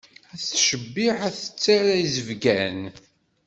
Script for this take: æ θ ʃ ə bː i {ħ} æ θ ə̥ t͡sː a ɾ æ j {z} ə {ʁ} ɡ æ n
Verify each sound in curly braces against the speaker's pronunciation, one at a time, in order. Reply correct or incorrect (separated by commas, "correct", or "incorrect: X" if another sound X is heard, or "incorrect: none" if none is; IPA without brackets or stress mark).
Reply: correct, correct, incorrect: v